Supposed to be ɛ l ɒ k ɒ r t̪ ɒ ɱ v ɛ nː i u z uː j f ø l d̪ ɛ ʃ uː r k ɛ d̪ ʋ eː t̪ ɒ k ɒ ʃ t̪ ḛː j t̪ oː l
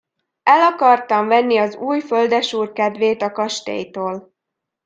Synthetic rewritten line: ɛ l ɒ k ɒ r t̪ ɒ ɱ v ɛ nː i ɒ z uː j f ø l d̪ ɛ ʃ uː r k ɛ d̪ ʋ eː t̪ ɒ k ɒ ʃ t̪ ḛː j t̪ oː l